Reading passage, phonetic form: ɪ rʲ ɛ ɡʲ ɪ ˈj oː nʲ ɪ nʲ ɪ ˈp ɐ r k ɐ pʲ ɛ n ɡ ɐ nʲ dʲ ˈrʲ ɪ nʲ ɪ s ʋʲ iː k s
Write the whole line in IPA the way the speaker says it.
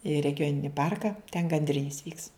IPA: ɪ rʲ ɛ ɡʲ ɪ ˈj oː nʲ ɪ nʲ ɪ ˈp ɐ r k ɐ tʲ ɛ n ɡ ɐ nʲ dʲ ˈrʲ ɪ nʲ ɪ s ʋʲ iː k s